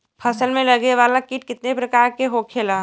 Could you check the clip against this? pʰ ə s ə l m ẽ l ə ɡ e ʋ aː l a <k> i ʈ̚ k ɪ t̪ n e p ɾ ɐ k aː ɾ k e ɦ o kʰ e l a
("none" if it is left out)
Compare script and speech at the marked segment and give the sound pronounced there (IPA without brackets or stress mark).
k